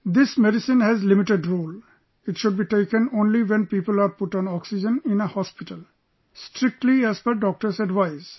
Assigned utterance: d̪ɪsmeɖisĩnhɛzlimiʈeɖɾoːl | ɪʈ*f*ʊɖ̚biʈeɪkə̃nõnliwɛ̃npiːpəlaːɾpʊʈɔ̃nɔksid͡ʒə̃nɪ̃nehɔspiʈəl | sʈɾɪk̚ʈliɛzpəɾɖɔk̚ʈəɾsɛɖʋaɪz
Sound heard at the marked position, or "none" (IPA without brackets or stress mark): ʃ